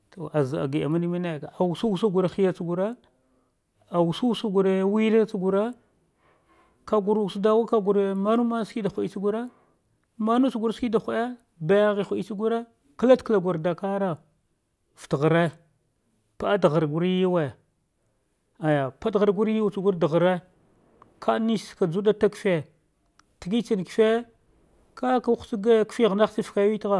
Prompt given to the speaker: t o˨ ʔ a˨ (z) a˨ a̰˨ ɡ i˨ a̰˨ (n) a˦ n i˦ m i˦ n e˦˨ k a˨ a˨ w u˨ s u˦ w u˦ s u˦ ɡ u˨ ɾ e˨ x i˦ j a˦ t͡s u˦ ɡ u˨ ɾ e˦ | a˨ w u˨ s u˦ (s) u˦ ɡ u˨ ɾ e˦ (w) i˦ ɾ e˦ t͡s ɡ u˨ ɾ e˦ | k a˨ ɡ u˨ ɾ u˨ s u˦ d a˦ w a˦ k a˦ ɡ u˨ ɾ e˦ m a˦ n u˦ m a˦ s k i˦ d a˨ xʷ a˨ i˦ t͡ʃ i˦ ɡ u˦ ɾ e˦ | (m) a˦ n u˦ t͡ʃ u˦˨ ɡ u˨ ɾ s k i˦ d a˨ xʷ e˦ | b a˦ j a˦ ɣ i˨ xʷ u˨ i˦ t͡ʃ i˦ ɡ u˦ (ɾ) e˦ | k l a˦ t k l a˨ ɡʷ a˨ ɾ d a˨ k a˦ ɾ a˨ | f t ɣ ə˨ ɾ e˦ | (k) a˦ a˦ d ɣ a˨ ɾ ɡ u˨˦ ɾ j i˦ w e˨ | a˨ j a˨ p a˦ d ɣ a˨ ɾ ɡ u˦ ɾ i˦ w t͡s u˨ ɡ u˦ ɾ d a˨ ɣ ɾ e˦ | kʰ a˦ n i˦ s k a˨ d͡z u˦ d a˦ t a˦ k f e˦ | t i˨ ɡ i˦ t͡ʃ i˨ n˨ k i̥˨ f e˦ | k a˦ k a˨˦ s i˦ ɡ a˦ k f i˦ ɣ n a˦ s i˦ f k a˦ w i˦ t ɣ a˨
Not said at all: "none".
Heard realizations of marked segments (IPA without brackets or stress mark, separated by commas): z, m, s, w, m, ɾ, p